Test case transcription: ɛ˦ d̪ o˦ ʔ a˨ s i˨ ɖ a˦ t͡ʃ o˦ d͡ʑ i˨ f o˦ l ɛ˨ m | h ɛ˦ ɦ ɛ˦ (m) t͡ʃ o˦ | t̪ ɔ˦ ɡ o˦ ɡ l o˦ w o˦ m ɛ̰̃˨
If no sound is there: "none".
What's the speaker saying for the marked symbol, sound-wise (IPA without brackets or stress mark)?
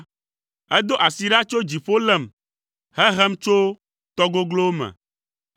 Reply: m